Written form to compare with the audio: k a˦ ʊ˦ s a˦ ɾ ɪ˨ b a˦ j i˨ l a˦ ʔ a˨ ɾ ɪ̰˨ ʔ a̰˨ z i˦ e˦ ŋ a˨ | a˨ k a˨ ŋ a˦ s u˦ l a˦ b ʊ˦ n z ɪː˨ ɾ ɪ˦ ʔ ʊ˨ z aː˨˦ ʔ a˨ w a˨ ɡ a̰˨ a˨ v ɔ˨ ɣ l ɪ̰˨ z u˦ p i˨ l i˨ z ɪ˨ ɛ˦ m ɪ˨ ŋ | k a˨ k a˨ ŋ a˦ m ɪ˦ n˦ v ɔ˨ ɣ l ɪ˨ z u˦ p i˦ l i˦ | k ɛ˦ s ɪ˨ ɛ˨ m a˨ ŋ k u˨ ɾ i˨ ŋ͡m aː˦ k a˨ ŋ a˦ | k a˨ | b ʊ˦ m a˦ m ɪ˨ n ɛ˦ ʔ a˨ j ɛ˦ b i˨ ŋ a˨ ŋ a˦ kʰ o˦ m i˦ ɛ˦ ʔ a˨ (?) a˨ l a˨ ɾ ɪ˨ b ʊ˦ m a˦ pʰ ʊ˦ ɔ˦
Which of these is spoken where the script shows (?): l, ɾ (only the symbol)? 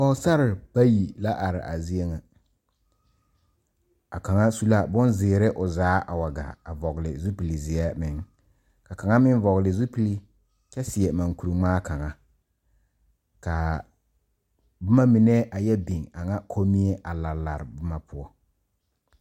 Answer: l